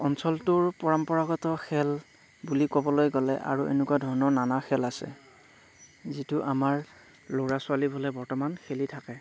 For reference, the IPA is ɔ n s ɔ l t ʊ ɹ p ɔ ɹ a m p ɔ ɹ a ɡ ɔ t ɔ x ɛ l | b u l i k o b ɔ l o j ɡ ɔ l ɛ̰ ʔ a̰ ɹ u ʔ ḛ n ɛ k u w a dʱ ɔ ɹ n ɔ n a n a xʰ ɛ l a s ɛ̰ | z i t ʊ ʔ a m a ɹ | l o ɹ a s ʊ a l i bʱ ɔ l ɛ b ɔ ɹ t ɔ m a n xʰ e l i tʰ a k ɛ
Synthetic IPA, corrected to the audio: ɔ n s ɔ l t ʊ ɹ p ɔ ɹ a m p ɔ ɹ a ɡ ɔ t ɔ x ɛ l | b u l i k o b ɔ l o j ɡ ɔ l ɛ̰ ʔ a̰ ɹ u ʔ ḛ n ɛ k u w a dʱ ɔ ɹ n ɔ n a n a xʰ ɛ l a s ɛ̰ | z i t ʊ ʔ a m a ɹ | l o ɹ a s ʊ a l i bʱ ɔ l ɛ b ɔ ɹ t ɔ m a n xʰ e l i tʰ a k ɛ